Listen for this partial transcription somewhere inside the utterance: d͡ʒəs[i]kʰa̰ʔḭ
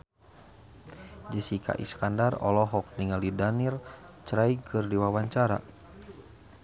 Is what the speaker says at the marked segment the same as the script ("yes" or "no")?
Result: yes